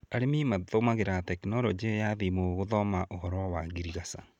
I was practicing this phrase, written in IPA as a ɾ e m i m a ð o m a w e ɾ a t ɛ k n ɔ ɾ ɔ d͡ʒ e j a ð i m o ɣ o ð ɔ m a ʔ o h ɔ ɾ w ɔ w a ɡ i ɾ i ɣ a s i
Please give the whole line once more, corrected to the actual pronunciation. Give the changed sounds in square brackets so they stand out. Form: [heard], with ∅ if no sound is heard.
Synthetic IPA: a ɾ e m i m a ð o m a [ɣ] e ɾ a t ɛ k n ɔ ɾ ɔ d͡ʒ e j a ð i m o ɣ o ð ɔ m a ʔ o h ɔ ɾ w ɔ w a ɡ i ɾ i ɣ a s [a]

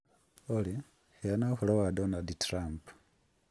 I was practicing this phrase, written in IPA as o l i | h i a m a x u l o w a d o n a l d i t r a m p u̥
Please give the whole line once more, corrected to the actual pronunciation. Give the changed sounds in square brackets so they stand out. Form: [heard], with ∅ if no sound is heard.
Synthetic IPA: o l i | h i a [n] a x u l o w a d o n a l d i t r a m p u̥

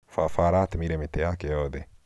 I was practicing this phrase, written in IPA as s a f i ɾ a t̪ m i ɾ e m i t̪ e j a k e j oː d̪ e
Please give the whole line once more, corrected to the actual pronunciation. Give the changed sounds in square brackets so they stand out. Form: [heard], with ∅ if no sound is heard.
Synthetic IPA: [f] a f [a] ɾ a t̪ m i ɾ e m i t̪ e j a k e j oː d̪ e

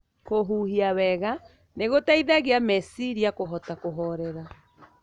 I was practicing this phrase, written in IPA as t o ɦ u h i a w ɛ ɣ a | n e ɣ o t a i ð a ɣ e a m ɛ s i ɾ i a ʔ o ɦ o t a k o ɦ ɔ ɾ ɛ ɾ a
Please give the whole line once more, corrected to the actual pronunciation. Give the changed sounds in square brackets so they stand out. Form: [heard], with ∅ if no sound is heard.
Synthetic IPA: [k] o ɦ u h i a w ɛ ɣ a | n e ɣ o t a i ð a ɣ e a m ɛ s i ɾ i a [k] o ɦ [ɔ] t a k o ɦ ɔ ɾ ɛ ɾ a

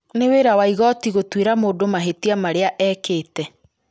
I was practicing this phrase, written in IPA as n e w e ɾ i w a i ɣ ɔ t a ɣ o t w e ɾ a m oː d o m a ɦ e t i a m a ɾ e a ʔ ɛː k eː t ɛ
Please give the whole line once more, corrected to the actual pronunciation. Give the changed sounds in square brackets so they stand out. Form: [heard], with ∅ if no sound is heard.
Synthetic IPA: n e w e ɾ [a] w a i ɣ ɔ t [i] ɣ o t w e ɾ a m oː d o m a ɦ e t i a m a ɾ e a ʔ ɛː k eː t ɛ

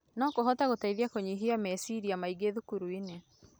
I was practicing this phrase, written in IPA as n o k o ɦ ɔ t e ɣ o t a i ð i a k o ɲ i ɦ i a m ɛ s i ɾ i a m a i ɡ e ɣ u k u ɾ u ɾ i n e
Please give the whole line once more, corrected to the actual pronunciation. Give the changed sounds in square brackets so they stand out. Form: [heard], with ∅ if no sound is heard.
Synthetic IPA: n [ɔ] k o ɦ ɔ t [a] ɣ o t a i ð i a k o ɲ i ɦ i a m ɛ s i ɾ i a m a i ɡ e [ð] u k u ɾ u [∅] i n e

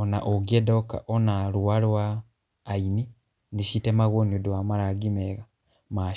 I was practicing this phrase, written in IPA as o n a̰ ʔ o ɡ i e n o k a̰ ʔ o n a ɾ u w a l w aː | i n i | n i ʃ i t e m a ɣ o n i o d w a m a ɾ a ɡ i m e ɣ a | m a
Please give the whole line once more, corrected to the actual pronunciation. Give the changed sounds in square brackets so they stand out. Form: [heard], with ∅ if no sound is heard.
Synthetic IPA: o n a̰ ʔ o ɡ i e [d] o k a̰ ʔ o n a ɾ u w a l w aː | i n i | n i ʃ i t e m a ɣ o n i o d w a m a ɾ a ɡ i m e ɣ a | m a

